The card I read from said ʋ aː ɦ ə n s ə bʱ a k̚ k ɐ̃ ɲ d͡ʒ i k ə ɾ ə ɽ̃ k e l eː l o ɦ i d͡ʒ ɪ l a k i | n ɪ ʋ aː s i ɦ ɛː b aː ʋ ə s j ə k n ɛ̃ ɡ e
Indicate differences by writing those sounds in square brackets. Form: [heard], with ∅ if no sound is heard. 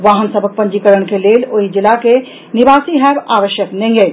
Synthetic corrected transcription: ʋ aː ɦ ə n s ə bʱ [ə] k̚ [p] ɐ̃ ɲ d͡ʒ i k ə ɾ ə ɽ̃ k e l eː l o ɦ i d͡ʒ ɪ l a k [e] | n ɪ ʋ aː s i ɦ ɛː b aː ʋ ə [ʃ] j ə k n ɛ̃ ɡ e